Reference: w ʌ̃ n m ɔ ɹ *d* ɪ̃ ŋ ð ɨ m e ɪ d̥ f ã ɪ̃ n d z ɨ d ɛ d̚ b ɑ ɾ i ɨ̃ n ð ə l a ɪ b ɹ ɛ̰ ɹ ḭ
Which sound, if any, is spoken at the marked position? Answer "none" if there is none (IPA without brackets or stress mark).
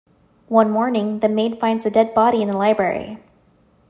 n